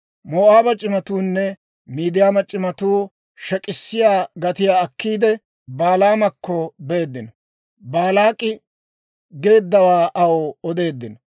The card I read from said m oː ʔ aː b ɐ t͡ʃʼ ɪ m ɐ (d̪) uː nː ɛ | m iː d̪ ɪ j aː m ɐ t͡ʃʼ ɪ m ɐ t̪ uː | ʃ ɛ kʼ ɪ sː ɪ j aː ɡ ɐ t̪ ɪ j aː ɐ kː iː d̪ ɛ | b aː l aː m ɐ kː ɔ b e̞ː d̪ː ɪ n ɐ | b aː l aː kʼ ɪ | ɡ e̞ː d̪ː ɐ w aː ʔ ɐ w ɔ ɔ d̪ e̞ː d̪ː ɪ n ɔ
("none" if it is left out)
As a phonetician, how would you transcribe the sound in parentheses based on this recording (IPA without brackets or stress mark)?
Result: t̪